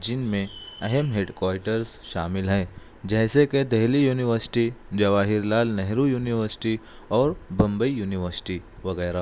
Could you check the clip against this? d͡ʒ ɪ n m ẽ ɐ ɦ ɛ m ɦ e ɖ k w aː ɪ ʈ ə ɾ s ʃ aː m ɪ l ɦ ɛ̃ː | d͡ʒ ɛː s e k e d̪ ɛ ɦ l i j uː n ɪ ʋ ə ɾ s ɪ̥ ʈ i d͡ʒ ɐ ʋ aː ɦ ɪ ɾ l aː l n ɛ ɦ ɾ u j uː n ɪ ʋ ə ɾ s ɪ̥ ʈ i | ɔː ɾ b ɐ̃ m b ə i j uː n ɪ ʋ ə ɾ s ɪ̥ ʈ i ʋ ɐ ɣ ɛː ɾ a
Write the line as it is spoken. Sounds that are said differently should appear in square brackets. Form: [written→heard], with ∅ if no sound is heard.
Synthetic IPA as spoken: d͡ʒ ɪ n m ẽ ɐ ɦ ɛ m ɦ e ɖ k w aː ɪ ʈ ə ɾ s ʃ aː m ɪ l ɦ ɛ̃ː | d͡ʒ ɛː s e k e d̪ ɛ ɦ l i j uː n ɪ ʋ ə ɾ s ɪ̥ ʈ i d͡ʒ ɐ ʋ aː ɦ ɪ ɾ l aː l n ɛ ɦ ɾ u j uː n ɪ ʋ ə ɾ s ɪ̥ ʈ i | ɔː ɾ b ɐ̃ m b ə i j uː n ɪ ʋ ə ɾ s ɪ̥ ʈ i ʋ ɐ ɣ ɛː ɾ a